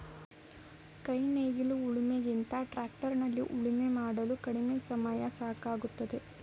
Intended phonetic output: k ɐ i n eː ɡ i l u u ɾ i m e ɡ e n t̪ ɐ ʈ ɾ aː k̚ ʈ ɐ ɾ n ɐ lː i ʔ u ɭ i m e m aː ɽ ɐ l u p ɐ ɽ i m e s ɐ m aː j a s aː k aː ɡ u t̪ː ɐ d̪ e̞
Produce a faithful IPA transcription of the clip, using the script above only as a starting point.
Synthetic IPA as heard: k ɐ j n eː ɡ i l u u ɭ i m e ɡ i n t̪ ɐ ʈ ɾ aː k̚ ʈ ɐ ɾ n ɐ lː i ʔ u ɭ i m e m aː ɽ ɐ l u k ɐ ɽ i m e s ɐ m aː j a s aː k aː ɡ u t̪ː ɐ d̪ e̞